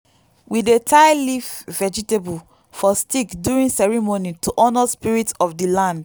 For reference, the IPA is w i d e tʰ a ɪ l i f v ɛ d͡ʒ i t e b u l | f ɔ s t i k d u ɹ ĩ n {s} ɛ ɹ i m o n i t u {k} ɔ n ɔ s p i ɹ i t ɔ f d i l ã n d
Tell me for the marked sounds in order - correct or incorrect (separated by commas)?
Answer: correct, incorrect